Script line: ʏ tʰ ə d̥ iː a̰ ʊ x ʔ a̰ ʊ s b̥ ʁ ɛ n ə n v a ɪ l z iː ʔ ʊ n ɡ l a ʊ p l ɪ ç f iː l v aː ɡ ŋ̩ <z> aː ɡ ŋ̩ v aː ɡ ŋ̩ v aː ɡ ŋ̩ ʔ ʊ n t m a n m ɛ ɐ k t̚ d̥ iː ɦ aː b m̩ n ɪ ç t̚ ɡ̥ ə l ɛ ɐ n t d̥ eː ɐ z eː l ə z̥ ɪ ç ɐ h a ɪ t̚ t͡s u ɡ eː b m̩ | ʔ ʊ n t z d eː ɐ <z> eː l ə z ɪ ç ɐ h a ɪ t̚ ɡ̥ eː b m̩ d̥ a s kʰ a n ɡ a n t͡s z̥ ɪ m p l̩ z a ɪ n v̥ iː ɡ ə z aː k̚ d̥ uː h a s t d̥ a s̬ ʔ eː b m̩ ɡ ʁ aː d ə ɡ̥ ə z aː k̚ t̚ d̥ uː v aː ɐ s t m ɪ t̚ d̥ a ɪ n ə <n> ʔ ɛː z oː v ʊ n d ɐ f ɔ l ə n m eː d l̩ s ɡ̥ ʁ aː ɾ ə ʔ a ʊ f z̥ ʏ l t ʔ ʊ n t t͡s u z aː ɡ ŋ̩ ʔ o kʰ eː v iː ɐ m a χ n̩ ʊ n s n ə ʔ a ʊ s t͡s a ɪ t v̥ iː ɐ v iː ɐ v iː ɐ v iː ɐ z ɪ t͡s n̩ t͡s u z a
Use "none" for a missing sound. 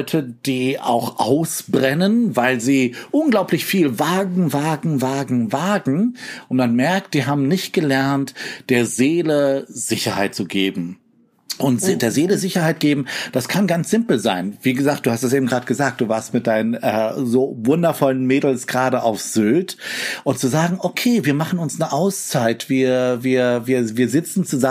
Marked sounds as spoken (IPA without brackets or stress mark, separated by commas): v, z, n